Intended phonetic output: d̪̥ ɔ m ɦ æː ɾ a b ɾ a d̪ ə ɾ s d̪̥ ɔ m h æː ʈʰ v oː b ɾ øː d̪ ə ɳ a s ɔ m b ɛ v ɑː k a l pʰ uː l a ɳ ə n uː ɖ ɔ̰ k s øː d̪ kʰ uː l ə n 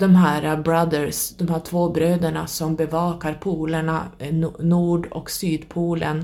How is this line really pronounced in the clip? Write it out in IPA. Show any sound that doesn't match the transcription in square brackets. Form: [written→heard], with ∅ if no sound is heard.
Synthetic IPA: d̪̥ ɔ m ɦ æː ɾ a b ɾ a d̪ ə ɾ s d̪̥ ɔ m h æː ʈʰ v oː b ɾ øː d̪ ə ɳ a s ɔ m b ɛ v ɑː k a [l→ɾ] pʰ uː l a ɳ [ə→a] n uː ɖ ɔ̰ k s [øː→yː] d̪ [kʰ→pʰ] uː l ə n